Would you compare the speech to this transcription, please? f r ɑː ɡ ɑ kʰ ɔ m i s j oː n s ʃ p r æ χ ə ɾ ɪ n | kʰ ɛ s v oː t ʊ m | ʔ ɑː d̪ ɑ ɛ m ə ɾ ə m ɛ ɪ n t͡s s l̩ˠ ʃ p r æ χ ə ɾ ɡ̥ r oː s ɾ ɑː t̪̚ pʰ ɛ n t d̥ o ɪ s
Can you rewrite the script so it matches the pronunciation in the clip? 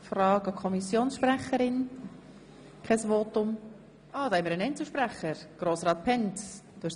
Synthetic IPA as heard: f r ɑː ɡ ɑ kʰ ɔ m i s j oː n s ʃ p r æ χ ə ɾ ɪ n | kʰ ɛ s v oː t ʊ m | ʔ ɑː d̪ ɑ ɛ m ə ɾ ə n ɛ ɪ n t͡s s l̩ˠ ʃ p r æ χ ə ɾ ɡ̥ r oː s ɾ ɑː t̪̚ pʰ ɛ n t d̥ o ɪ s